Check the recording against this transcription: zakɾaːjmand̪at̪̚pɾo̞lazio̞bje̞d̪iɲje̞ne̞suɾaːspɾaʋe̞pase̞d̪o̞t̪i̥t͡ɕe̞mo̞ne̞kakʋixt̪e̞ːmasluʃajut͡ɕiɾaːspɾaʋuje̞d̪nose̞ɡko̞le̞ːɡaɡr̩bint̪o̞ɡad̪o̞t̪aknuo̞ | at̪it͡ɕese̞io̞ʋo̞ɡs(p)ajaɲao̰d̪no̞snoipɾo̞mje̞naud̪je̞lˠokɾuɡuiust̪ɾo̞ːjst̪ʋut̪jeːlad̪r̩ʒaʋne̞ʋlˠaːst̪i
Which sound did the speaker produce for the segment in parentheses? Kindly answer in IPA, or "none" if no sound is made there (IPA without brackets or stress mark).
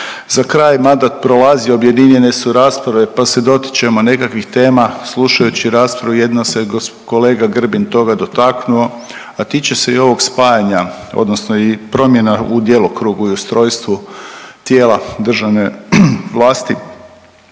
p